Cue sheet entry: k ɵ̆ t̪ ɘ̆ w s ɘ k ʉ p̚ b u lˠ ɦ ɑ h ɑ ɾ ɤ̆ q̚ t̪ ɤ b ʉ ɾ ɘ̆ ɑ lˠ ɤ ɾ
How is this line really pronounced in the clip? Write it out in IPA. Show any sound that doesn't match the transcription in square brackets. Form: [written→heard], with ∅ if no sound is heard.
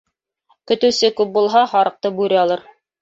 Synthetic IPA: k ɵ̆ t̪ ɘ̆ w s ɘ k ʉ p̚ b u lˠ ɦ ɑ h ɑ ɾ ɤ̆ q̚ t̪ ɤ b ʉ ɾ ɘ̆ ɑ lˠ ɤ ɾ